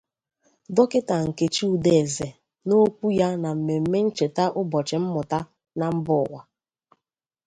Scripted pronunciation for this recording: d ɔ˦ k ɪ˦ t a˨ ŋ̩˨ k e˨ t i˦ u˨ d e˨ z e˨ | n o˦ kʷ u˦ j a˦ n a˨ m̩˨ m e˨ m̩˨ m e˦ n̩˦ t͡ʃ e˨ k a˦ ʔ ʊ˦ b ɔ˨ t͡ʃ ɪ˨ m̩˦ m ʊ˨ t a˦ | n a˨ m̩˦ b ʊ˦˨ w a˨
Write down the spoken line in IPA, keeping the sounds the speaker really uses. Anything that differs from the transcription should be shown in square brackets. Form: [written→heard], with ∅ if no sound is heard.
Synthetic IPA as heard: d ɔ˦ k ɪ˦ t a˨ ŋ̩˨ k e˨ [t→t͡ʃ] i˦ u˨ d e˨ z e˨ | n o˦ kʷ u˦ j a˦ n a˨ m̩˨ m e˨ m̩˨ m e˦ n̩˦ t͡ʃ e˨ [k→t] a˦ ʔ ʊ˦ b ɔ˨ t͡ʃ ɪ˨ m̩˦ m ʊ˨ t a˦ | n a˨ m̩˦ b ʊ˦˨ w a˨